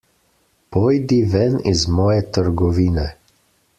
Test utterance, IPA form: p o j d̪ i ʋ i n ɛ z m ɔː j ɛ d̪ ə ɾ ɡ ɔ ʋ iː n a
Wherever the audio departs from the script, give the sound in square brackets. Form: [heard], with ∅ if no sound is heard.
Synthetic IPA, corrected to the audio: p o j d̪ i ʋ [ɛ] n [i] z m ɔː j ɛ [t̪] ə ɾ ɡ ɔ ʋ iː n [ɛ]

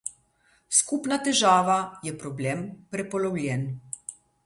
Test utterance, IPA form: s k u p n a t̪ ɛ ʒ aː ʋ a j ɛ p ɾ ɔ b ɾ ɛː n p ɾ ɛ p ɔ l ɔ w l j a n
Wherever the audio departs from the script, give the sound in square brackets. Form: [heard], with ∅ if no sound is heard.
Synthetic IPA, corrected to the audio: s k u p n a t̪ ɛ ʒ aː ʋ a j ɛ p ɾ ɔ b [l] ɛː [m] p ɾ ɛ p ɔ l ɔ w l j [ɛ] n

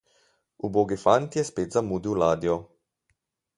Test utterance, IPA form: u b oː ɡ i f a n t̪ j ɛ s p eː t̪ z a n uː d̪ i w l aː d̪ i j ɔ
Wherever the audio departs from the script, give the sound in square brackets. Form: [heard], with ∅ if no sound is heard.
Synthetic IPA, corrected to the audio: u b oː ɡ i f a n t̪ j ɛ s p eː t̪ z a [m] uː d̪ i w l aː d̪ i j ɔ

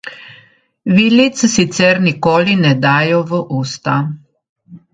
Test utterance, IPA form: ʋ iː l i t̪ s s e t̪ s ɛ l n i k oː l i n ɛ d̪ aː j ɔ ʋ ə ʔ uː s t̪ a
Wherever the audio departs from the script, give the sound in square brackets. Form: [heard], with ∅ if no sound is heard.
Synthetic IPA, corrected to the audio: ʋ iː l i t̪ s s [i] t̪ s ɛ [ɾ] n i k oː l i n ɛ d̪ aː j ɔ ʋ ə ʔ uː s t̪ a

